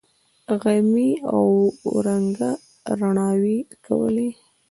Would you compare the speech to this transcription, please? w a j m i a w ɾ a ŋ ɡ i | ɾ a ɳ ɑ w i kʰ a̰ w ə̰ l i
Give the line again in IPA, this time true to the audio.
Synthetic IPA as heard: ɣ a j m i a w ɾ a ŋ ɡ a | ɾ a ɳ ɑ w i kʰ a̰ w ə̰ l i